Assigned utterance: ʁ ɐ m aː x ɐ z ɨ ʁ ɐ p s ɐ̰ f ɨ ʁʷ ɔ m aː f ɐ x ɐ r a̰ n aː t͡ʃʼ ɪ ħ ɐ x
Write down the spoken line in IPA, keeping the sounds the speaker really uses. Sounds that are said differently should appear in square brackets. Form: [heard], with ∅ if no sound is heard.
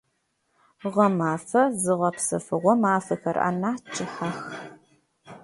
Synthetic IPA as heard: ʁ ɐ m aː [f] ɐ z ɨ ʁ ɐ p s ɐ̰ f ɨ ʁʷ ɔ m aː f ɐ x ɐ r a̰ n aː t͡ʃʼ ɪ ħ [a] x